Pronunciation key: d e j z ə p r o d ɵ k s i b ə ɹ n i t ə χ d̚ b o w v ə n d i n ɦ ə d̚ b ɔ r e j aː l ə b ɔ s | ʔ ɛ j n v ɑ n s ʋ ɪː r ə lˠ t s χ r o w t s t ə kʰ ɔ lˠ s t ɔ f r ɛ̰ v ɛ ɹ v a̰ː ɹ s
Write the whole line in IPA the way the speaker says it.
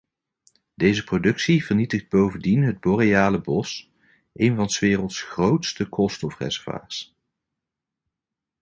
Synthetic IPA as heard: d e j z ə p r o d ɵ k s i v ə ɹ n i t ə χ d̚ b o w v ə n d i n ɦ ə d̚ b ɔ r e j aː l ə b ɔ s | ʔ e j n v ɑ n s ʋ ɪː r ə lˠ t s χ r o w t s t ə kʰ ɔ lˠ s t ɔ f r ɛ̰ z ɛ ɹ v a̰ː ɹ s